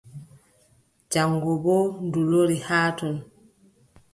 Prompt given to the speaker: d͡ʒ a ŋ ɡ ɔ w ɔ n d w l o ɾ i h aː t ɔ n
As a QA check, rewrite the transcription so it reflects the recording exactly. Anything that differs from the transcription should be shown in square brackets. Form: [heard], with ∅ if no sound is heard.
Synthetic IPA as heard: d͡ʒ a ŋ ɡ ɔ [b] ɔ n d [u] l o ɾ i h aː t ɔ n